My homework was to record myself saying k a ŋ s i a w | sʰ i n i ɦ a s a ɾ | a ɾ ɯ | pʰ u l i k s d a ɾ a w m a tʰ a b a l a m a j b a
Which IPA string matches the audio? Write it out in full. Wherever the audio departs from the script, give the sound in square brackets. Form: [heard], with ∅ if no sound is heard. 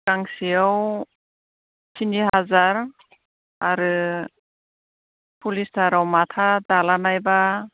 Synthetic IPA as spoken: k a ŋ s i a w | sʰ i n i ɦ a [z] a ɾ | a ɾ ɯ | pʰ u l i [∅] s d a ɾ a w m a tʰ a [d] a l a [n] a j b a